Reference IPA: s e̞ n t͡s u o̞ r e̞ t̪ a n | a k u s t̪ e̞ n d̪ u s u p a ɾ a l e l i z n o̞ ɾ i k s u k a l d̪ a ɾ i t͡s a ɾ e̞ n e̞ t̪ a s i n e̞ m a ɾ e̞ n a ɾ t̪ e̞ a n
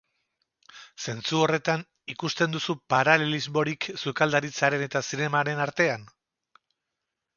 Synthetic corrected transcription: s e̞ n t͡s u o̞ r e̞ t̪ a n | i k u s t̪ e̞ n d̪ u s u p a ɾ a l e l i z m o̞ ɾ i k s u k a l d̪ a ɾ i t͡s a ɾ e̞ n e̞ t̪ a s i n e̞ m a ɾ e̞ n a ɾ t̪ e̞ a n